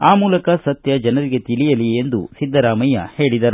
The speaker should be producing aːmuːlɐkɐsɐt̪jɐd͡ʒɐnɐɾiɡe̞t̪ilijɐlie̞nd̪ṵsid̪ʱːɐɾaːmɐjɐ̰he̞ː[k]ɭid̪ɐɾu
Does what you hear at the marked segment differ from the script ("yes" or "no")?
yes